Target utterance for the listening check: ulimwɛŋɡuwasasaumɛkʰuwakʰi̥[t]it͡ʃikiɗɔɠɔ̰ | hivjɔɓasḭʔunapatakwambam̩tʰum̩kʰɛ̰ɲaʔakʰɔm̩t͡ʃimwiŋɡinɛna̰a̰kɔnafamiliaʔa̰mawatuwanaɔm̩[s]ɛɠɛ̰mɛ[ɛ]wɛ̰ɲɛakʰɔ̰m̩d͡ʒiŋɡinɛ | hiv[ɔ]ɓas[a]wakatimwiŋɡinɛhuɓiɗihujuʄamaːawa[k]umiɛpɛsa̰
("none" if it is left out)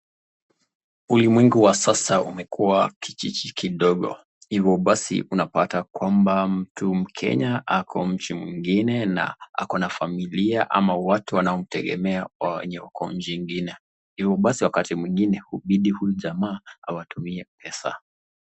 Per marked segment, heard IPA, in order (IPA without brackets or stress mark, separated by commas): t͡ʃ, t, a, ɔ, i, t